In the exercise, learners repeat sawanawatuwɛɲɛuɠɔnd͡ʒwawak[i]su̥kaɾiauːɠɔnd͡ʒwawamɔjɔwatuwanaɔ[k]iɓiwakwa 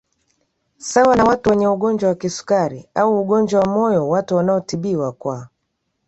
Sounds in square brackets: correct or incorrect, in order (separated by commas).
correct, incorrect